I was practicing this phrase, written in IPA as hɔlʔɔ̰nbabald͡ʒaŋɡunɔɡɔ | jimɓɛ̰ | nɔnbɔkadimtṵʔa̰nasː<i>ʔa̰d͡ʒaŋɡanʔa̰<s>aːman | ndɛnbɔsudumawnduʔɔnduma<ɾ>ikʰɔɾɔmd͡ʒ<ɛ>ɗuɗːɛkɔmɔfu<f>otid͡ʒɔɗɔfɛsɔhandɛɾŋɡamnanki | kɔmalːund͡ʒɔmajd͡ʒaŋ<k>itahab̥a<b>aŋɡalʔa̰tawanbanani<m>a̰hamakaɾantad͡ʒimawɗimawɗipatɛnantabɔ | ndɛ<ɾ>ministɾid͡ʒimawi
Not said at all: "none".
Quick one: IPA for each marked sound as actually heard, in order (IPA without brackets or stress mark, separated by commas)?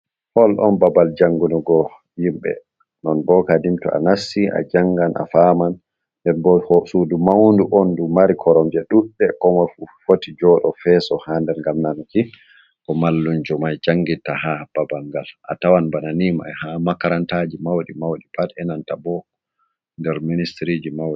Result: i, f, ɾ, ɛ, f, ɡ, b, m, ɾ